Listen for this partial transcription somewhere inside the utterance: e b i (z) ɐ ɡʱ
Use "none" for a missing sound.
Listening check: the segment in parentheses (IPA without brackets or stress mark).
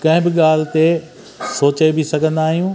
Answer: s